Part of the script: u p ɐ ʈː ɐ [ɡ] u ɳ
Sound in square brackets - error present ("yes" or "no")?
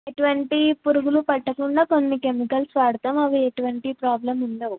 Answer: yes